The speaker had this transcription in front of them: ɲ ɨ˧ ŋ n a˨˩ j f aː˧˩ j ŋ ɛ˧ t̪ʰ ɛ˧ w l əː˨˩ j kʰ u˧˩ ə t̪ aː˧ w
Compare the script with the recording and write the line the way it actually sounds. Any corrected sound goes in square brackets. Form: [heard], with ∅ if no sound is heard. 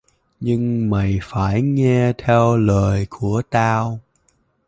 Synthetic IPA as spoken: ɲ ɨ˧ ŋ [m] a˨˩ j f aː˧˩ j ŋ ɛ˧ t̪ʰ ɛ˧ w l əː˨˩ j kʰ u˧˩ ə t̪ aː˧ w